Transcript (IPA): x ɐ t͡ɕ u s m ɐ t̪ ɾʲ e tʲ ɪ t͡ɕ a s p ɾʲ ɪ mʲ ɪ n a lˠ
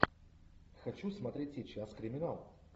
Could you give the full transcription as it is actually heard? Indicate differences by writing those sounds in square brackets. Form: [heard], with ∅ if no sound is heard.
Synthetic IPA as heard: x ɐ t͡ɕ u s m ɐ t̪ ɾʲ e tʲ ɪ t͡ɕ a s [k] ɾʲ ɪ mʲ ɪ n a lˠ